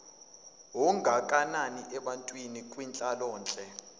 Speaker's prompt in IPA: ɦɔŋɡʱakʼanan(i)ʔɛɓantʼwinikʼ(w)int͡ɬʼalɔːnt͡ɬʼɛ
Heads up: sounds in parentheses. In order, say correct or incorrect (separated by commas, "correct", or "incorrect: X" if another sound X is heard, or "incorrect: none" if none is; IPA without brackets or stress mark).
correct, correct